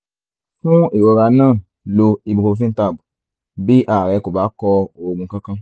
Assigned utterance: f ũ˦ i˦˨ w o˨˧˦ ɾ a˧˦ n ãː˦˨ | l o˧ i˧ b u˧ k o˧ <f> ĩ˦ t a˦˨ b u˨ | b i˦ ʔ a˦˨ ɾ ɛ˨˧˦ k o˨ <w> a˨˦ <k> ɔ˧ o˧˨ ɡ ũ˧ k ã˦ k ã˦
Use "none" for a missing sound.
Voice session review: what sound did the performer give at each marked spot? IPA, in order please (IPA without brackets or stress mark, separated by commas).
f, b, k